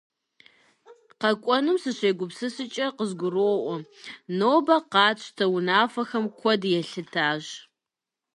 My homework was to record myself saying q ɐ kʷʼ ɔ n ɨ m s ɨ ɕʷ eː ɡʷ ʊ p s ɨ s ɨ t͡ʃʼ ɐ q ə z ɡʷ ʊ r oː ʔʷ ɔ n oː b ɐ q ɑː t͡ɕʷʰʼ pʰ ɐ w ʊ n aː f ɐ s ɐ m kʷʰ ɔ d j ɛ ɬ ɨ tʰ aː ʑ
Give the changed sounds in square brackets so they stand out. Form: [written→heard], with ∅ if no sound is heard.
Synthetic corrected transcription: q ɐ kʷʼ ɔ n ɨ m s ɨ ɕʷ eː ɡʷ ʊ p s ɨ s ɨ t͡ʃʼ ɐ q ə z ɡʷ ʊ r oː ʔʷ ɔ n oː b ɐ q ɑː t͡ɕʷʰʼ [pʰ→tʰ] ɐ w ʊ n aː f ɐ [s→x] ɐ m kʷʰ ɔ d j ɛ ɬ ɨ tʰ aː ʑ